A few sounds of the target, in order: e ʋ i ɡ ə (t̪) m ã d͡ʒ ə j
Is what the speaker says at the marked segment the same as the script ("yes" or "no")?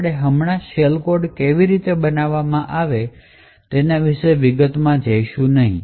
yes